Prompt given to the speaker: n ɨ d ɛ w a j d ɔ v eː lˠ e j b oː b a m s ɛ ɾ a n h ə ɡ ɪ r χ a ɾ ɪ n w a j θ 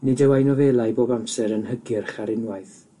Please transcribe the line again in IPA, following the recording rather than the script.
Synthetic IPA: n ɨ d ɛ w a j n ɔ v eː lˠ a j b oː b a m s ɛ ɾ ə n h ə ɡ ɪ r χ a ɾ ɪ n w a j θ